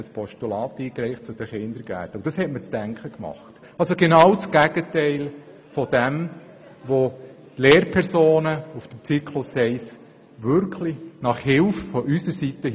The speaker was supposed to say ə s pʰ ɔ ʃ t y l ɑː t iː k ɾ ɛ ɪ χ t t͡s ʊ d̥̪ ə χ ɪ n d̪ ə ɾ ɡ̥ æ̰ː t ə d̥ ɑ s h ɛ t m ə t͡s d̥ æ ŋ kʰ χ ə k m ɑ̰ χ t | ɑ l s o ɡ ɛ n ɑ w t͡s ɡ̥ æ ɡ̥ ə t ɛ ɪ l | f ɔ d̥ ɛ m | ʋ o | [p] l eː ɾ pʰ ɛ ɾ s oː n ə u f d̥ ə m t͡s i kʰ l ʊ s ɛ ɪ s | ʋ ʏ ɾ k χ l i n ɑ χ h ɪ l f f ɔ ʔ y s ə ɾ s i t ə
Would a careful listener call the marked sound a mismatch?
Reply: yes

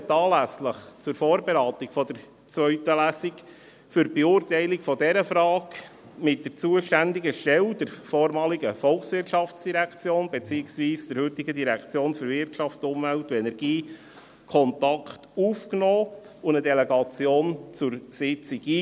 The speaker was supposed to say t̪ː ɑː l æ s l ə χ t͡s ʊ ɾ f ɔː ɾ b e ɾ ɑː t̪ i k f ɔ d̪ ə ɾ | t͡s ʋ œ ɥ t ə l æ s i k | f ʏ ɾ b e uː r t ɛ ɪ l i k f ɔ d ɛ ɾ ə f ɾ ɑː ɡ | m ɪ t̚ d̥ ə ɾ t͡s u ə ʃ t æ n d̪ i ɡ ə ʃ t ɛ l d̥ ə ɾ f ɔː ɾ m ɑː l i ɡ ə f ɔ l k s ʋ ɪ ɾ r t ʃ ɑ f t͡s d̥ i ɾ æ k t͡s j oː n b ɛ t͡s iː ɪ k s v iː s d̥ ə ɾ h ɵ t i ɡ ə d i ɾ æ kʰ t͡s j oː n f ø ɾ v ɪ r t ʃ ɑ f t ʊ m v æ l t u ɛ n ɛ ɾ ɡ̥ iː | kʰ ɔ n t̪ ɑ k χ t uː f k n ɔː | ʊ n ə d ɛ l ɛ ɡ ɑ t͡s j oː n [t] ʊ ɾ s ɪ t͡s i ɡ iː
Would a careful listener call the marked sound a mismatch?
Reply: yes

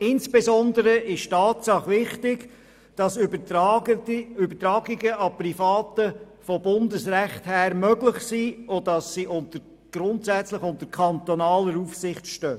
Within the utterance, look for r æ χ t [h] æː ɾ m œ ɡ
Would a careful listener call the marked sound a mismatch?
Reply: no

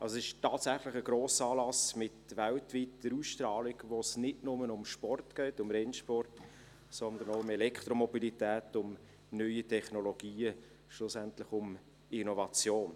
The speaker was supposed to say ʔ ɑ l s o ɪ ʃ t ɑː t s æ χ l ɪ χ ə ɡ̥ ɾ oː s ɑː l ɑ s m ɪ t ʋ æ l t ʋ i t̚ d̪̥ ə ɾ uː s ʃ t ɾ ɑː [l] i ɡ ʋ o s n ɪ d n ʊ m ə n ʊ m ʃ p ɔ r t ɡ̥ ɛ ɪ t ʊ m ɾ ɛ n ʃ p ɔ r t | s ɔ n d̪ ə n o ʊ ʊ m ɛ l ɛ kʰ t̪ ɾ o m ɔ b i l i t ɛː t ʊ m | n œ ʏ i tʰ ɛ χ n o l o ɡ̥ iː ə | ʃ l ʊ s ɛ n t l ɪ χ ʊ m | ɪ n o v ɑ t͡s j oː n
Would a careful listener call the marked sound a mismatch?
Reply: no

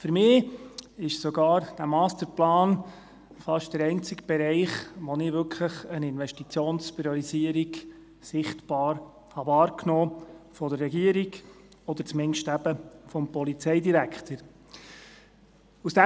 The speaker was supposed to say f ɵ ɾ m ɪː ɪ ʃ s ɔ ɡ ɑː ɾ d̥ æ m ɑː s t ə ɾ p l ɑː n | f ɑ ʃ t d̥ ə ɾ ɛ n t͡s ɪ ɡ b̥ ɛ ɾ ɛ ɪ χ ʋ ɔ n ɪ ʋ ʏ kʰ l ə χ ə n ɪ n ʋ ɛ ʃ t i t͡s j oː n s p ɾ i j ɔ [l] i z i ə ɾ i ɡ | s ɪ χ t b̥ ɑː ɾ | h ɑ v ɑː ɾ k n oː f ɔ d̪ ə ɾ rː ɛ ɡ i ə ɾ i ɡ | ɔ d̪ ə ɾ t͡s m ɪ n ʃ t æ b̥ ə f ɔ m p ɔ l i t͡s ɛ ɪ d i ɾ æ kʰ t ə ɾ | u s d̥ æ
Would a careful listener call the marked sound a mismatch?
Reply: yes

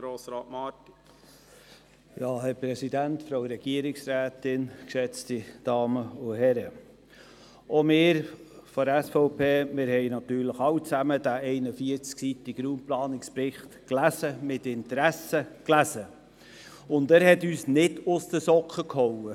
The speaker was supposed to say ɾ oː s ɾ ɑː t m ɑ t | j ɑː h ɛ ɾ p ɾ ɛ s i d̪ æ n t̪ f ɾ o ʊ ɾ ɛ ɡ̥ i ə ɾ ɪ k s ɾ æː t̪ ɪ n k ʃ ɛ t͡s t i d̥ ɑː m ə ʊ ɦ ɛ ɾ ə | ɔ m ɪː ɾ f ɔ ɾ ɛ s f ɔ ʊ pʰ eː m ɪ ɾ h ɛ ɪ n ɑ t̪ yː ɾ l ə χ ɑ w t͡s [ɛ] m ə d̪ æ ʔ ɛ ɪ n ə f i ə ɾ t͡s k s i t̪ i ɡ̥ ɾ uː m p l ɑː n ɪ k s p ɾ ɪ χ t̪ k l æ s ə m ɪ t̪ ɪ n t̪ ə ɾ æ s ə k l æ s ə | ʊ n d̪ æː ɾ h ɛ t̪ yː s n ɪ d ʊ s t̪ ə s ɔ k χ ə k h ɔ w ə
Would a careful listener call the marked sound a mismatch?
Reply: yes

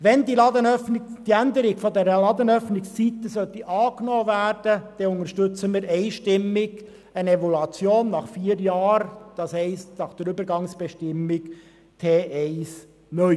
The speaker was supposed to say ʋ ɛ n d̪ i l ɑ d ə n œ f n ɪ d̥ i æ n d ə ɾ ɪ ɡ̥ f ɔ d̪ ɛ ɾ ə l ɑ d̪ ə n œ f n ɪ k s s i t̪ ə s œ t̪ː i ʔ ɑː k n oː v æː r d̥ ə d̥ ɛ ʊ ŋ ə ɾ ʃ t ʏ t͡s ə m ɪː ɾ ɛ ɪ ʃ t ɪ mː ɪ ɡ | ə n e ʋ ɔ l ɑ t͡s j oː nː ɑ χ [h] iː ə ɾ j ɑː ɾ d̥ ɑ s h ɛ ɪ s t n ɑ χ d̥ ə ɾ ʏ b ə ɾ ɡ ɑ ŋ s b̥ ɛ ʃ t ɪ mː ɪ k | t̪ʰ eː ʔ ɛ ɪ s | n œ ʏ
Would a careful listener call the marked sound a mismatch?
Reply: yes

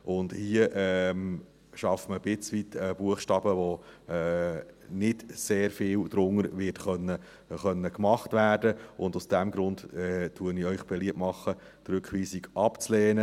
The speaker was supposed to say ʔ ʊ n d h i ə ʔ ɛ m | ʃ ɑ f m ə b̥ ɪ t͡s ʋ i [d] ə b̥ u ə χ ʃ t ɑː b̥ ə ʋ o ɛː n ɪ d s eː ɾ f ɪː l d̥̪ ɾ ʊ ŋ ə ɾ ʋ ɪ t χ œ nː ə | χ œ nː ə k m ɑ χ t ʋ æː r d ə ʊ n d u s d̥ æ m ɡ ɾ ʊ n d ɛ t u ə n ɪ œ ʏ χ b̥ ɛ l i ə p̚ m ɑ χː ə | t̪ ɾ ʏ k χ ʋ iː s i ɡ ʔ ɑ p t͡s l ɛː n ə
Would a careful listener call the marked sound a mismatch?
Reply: yes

